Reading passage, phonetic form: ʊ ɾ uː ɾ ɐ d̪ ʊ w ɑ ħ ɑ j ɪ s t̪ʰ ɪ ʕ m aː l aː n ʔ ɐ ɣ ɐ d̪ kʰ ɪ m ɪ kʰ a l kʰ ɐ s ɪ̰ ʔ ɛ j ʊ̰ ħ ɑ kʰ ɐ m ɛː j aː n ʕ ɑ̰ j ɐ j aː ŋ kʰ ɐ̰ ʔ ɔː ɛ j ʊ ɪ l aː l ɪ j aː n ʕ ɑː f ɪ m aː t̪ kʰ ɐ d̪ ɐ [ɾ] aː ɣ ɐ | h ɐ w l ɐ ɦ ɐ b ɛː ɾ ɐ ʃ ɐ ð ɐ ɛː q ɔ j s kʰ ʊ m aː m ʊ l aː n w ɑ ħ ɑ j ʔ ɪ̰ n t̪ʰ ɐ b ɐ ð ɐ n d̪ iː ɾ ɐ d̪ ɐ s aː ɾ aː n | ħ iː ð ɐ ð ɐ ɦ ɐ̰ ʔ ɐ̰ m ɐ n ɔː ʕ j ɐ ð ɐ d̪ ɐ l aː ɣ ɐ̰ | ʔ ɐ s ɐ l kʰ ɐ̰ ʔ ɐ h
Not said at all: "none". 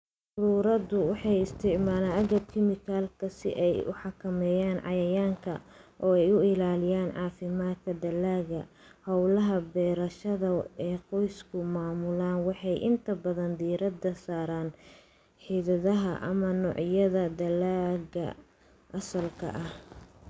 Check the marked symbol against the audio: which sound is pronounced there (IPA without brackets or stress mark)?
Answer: l